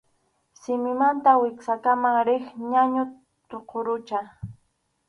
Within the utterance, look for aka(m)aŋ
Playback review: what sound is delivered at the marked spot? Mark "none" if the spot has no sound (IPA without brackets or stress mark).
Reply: m